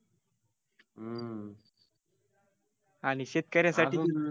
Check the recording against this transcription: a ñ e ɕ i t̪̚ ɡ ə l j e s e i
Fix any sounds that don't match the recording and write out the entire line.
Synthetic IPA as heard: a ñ i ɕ e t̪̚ k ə ɾ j a s a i